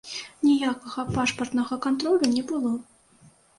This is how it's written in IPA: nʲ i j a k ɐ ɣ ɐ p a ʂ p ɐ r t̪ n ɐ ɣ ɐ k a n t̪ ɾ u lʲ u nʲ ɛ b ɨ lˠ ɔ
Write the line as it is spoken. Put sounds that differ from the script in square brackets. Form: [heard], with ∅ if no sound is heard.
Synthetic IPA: nʲ i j a k ɐ ɣ ɐ p a ʂ p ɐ r t̪ n ɐ ɣ ɐ k a n t̪ ɾ [ɔ] lʲ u nʲ ɛ b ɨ lˠ ɔ